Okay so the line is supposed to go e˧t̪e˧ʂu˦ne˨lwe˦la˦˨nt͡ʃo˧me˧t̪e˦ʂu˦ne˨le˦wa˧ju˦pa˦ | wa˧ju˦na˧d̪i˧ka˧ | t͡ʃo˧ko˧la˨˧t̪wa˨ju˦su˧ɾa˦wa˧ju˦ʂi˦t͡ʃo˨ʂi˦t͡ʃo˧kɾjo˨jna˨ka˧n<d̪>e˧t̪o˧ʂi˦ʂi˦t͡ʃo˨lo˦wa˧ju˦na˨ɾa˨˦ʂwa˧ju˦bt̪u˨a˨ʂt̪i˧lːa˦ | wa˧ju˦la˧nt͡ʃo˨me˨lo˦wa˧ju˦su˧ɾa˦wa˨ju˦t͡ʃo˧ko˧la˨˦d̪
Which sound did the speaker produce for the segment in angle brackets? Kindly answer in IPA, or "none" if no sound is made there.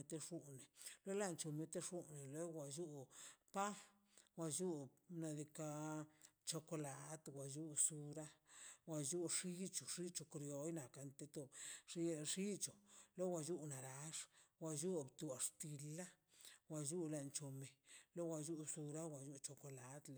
t̪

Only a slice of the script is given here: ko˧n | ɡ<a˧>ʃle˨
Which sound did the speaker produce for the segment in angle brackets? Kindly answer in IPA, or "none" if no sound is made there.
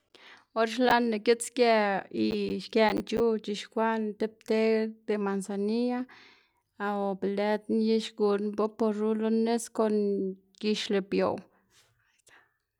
i˧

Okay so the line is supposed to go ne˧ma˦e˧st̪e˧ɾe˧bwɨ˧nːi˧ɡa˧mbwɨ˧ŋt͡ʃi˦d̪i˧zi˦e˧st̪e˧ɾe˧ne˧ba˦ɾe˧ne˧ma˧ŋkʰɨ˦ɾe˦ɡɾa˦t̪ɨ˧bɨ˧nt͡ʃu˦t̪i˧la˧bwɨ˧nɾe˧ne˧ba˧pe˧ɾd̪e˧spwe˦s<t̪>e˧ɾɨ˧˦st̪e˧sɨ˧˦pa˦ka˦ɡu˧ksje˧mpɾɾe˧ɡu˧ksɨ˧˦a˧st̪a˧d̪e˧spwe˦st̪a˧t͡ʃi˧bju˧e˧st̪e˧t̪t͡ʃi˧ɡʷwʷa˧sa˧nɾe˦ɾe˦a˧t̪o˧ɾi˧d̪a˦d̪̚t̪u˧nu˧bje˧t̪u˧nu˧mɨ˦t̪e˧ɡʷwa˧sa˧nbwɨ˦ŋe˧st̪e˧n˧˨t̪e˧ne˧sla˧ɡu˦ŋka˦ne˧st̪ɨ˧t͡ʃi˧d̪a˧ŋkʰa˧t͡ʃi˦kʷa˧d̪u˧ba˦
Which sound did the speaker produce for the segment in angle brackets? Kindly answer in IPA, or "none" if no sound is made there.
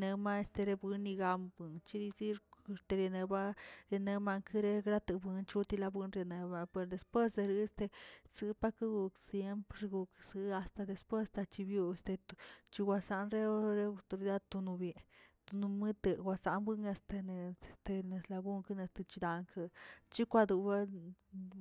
d̪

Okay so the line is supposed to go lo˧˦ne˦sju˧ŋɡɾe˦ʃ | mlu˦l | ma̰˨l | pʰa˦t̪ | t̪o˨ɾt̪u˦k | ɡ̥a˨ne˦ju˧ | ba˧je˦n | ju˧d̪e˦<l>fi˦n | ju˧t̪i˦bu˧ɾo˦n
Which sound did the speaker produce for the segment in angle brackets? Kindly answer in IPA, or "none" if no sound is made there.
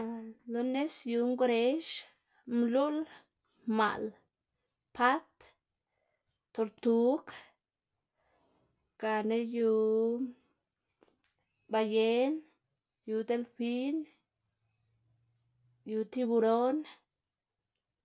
l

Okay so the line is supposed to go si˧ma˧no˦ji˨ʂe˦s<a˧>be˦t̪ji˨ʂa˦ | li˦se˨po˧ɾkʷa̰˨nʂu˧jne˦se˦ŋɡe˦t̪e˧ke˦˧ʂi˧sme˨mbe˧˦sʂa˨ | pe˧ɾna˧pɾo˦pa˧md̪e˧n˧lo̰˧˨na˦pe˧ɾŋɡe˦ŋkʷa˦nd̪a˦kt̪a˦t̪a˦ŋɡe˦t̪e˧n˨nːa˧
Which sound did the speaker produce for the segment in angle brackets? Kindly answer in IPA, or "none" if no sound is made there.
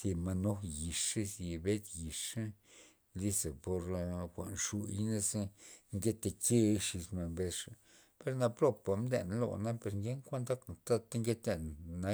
i˧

